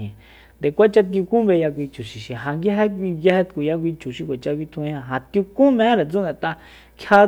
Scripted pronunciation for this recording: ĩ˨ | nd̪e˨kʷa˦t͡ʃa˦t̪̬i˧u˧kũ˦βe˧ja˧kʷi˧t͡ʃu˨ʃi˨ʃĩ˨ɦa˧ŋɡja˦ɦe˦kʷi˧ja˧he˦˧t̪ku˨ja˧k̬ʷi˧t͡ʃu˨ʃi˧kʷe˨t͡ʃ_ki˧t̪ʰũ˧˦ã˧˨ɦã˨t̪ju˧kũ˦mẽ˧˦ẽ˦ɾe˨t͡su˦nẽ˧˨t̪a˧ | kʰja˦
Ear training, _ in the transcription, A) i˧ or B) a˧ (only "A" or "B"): B